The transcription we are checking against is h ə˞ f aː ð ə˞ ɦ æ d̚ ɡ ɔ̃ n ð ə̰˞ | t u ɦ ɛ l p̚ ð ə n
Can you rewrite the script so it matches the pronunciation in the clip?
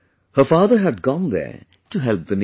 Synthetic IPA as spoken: h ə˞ f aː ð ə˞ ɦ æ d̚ ɡ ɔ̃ n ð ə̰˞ | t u ɦ ɛ l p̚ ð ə n